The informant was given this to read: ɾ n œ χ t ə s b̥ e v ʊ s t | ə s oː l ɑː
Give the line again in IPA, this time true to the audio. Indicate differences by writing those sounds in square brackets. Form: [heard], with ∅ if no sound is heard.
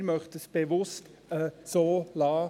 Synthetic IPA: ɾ [m] œ χ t ə s b̥ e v ʊ s t | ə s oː l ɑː